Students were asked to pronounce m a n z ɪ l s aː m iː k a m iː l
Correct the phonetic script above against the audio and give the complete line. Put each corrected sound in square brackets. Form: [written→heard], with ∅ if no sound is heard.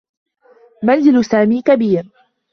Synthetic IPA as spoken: m a n z ɪ l s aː m iː k a [m→b] iː [l→ɾ]